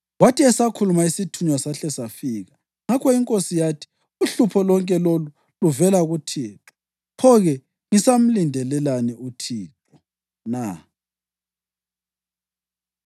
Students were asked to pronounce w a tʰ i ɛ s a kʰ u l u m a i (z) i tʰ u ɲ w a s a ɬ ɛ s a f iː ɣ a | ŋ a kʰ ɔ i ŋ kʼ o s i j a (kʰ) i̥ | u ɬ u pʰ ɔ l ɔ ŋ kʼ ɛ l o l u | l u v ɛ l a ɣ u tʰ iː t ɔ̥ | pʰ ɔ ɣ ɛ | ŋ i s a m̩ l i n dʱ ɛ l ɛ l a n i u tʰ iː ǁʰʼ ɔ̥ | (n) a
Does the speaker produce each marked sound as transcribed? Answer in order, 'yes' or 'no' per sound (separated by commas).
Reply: no, no, yes